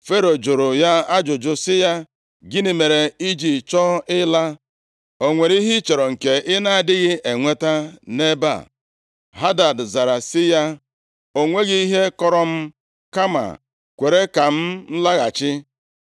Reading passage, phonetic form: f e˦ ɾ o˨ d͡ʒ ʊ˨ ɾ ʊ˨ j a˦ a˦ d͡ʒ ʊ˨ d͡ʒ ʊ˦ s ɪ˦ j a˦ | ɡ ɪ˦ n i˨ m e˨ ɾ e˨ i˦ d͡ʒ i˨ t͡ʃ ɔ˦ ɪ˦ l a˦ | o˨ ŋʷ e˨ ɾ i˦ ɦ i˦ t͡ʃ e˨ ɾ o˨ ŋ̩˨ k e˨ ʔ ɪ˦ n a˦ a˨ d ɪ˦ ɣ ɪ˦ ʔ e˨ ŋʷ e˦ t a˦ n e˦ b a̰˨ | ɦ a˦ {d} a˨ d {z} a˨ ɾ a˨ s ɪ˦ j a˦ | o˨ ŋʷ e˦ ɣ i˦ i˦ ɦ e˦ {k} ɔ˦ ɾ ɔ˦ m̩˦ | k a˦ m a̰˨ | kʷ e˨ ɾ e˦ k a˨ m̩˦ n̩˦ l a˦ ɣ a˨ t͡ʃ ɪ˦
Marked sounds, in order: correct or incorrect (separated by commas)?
correct, correct, correct